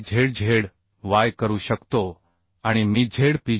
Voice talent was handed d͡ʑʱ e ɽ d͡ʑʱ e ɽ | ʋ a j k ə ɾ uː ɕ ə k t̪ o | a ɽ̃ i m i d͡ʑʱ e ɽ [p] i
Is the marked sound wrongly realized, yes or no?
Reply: no